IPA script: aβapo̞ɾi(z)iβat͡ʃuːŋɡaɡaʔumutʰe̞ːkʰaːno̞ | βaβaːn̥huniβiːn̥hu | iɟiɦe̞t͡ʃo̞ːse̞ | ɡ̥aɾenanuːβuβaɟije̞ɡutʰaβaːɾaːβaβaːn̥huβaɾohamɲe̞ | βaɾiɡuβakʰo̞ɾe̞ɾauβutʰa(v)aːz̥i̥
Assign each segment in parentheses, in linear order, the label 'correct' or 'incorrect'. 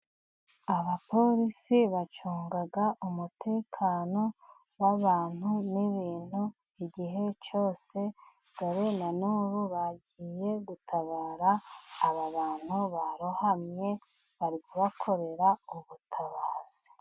incorrect: s, incorrect: β

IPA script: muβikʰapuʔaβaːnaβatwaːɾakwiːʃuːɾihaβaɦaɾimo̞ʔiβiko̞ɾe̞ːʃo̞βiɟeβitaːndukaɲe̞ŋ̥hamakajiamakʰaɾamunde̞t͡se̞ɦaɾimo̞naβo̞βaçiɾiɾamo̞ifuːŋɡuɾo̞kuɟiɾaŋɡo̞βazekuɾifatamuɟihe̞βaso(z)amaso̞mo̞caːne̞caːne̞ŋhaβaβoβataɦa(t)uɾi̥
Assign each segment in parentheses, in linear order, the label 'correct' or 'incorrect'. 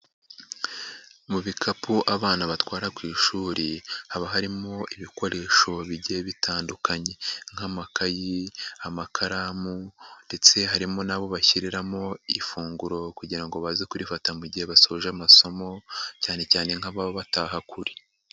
incorrect: ʒ, incorrect: k

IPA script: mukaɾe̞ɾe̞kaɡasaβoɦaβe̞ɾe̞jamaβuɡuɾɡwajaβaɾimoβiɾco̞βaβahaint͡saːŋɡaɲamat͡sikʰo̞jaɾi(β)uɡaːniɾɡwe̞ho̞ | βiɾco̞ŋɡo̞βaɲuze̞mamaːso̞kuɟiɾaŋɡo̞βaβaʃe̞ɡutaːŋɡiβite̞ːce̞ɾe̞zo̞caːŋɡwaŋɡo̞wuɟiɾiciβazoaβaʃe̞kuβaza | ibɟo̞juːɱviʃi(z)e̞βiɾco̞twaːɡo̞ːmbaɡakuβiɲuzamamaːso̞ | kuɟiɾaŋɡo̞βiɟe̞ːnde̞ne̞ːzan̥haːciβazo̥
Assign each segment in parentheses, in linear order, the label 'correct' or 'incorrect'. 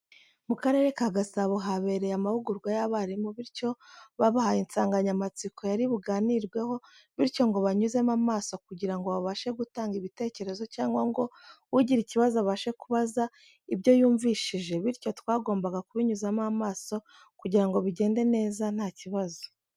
correct, incorrect: ʒ

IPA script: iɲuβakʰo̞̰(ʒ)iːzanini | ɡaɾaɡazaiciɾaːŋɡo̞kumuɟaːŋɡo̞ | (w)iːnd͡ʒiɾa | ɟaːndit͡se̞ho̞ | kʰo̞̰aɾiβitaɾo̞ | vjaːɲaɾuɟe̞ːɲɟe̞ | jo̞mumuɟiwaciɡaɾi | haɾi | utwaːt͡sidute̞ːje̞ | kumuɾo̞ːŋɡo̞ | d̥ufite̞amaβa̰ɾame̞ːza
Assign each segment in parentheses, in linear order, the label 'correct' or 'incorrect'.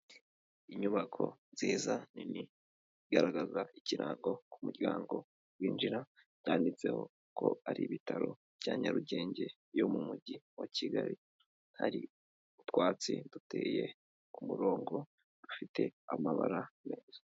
incorrect: z, correct

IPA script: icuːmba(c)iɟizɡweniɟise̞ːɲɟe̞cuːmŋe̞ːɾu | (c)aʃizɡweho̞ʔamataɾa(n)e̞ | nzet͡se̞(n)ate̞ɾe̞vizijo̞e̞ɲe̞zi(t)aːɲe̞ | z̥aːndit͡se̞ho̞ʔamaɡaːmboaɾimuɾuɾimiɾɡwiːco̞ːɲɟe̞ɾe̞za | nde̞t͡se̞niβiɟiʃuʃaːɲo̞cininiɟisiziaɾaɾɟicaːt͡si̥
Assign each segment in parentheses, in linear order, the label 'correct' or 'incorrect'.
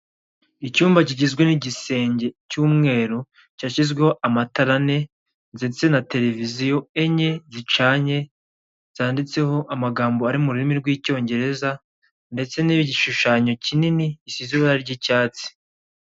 correct, correct, correct, correct, incorrect: t͡ʃ

